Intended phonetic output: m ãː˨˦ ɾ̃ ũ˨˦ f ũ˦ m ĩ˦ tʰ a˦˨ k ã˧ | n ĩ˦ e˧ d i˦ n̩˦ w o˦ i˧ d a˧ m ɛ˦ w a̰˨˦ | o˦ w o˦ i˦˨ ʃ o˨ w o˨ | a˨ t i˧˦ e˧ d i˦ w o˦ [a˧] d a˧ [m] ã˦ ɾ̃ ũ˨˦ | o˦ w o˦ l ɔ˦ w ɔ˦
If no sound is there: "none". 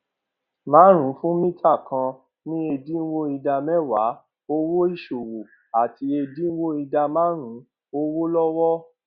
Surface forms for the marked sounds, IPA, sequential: i˧, m

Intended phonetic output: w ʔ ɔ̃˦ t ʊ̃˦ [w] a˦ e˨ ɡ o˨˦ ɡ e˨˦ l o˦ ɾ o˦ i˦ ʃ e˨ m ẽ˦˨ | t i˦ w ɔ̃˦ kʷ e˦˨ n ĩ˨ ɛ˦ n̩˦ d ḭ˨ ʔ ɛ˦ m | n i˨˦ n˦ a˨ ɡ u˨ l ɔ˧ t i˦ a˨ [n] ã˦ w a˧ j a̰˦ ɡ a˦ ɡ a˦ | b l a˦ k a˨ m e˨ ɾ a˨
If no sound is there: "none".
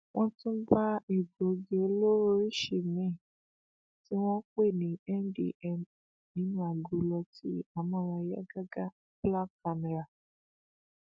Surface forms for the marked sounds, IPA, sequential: b, m

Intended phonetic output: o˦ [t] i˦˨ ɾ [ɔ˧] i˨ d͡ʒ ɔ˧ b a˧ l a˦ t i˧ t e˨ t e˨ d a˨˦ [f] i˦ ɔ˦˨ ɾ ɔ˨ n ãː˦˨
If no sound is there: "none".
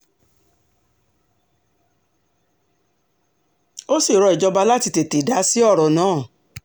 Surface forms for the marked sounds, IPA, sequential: s, ɔ˧, s

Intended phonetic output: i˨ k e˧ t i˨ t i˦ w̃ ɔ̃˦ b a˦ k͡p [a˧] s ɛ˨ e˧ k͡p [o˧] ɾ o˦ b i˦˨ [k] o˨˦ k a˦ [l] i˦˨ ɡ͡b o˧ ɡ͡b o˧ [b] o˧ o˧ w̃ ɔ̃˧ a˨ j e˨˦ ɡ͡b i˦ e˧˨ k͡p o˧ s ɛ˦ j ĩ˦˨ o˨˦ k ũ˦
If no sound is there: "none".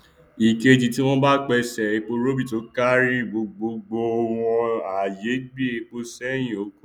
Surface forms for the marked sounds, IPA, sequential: ɛ˧, o˧, t, ɾ, ɡ͡b

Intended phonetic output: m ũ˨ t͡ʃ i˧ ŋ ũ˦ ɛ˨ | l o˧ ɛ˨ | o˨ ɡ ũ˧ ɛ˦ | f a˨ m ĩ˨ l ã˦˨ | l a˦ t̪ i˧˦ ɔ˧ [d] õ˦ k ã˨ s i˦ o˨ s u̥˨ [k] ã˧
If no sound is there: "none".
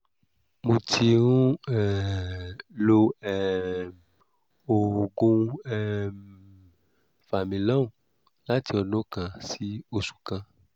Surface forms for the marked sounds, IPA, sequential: n, k

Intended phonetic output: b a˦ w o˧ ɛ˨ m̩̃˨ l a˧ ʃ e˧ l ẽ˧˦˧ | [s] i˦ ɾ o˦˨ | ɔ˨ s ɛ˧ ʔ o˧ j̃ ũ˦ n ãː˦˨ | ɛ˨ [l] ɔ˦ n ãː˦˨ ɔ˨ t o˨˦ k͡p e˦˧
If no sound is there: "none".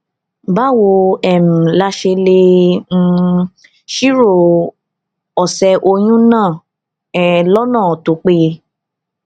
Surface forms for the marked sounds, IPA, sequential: ʃ, l

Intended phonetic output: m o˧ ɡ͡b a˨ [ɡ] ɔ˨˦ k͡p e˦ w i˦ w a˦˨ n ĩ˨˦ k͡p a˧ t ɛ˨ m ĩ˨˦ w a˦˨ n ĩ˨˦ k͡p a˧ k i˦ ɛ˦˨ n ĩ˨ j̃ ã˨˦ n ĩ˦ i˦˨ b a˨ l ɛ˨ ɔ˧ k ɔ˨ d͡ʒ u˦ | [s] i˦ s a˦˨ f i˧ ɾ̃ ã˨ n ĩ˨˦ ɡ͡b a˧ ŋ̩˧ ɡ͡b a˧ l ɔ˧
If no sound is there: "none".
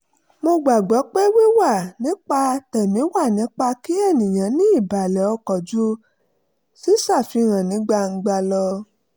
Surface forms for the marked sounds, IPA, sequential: ɡ͡b, s

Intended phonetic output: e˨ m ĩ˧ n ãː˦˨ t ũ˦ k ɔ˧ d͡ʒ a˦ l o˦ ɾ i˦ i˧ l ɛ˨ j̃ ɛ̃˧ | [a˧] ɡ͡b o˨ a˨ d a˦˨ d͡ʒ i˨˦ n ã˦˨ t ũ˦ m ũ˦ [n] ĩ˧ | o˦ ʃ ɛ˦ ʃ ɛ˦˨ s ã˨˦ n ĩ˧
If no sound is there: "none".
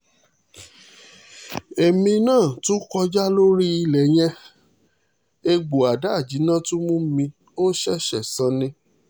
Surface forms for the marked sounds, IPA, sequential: e˧, m

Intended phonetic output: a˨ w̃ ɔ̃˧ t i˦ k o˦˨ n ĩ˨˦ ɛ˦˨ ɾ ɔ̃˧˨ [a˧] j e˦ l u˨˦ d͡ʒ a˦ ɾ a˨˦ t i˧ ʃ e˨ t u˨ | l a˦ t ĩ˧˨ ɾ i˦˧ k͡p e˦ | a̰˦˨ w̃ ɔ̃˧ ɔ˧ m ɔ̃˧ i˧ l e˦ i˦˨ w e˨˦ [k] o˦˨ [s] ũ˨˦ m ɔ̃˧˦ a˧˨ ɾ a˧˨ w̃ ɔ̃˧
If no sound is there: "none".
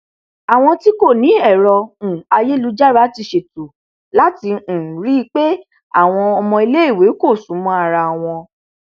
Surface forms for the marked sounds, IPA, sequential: a˧, k, s

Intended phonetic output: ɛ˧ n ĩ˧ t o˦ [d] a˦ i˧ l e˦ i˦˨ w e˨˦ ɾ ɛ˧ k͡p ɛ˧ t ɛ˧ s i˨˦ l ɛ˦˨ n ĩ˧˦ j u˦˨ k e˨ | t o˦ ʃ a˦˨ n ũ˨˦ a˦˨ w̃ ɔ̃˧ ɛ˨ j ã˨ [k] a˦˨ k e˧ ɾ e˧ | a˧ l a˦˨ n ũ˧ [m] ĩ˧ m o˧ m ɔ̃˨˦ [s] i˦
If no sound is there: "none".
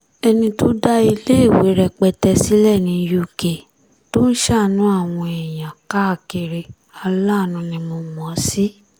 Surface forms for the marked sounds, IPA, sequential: d, k, n, s

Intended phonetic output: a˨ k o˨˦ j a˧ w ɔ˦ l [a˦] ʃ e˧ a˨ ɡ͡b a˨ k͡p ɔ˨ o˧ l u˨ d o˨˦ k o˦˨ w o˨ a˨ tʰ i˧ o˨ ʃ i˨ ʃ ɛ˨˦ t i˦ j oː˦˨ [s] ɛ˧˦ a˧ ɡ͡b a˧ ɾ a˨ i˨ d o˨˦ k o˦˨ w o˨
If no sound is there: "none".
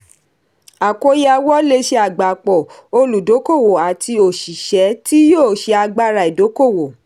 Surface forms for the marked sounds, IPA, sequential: e˦, ʃ

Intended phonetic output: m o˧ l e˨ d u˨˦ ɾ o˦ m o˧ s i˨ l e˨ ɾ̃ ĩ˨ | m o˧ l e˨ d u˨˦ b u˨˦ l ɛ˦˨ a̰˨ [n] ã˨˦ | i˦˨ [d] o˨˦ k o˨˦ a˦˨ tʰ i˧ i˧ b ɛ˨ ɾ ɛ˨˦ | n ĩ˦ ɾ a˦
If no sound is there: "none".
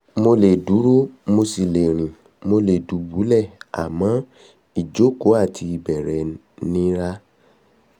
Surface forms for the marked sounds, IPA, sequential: m, d͡ʒ

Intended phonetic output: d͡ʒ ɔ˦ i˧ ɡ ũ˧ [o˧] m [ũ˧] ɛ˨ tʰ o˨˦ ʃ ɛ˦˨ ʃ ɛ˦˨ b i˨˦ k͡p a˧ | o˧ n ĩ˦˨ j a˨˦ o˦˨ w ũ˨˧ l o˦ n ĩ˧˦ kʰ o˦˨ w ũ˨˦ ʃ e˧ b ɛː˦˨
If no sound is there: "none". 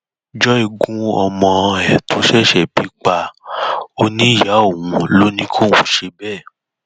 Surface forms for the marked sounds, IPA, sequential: ɔ˧, ɔ̃˧

